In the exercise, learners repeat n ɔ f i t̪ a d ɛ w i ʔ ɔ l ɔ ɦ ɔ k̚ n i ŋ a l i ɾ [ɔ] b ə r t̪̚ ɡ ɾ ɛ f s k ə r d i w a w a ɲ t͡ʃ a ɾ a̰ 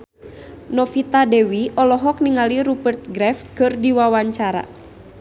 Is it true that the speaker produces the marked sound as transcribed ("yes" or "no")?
no